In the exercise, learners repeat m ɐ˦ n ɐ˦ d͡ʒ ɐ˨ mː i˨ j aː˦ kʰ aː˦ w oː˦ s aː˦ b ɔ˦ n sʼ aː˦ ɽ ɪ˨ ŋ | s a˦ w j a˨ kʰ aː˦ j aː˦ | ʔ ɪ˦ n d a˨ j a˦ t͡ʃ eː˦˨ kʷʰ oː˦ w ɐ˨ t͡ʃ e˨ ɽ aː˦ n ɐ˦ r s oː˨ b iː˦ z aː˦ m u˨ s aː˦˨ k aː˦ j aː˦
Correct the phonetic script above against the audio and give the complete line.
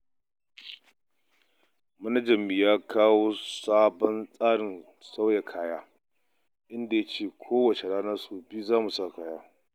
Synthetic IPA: m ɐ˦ n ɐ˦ d͡ʒ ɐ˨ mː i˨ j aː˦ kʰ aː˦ w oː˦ s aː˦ b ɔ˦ n sʼ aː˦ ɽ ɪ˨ n | s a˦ w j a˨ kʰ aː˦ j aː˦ | ʔ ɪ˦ n d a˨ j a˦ t͡ʃ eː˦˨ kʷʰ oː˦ w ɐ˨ t͡ʃ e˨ ɽ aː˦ n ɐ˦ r s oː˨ b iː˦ z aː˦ m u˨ s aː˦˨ k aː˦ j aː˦